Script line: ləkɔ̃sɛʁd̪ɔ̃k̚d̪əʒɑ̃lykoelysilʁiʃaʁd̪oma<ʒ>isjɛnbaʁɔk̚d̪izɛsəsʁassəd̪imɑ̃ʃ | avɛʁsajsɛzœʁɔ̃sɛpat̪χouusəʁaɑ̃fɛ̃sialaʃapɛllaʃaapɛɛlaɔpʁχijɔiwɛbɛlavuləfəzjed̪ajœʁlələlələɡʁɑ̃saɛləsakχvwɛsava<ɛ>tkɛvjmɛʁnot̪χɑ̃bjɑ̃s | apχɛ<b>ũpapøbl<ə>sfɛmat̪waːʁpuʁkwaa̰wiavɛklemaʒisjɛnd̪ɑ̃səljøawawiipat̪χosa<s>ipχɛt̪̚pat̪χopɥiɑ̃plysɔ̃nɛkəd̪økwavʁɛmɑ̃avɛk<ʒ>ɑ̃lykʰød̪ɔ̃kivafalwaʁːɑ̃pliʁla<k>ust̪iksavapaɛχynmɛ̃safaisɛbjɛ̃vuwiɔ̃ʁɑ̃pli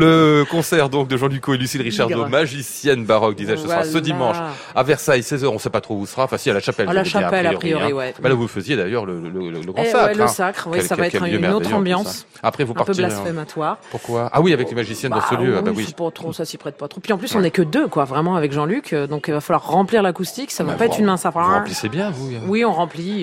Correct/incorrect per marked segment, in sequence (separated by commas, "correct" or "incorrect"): correct, correct, incorrect, incorrect, correct, correct, correct